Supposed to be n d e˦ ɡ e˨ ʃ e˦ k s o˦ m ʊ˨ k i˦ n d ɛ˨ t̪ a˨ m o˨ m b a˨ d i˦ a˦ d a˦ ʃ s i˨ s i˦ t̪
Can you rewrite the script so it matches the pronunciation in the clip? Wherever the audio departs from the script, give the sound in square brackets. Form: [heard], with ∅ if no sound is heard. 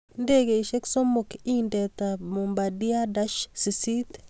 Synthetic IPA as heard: n d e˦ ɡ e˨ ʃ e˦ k s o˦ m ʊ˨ k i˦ n d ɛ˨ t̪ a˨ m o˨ m b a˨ d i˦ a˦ d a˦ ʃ s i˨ s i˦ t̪